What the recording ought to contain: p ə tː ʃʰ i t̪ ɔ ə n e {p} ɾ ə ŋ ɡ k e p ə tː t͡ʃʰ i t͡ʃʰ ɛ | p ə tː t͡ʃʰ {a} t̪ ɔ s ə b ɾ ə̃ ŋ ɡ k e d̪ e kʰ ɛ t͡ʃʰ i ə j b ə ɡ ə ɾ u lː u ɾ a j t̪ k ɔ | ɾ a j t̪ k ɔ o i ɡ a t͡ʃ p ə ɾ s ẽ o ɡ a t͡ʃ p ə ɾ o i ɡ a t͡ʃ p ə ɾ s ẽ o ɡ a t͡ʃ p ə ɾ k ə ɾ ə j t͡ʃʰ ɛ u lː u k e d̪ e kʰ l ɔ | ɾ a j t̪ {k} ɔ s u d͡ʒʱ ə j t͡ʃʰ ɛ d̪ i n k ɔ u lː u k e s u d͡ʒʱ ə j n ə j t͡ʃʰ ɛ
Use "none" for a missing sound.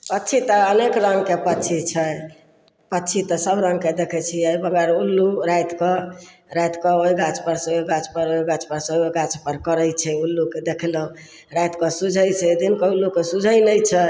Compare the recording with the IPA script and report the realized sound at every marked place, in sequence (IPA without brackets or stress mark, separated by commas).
k, i, k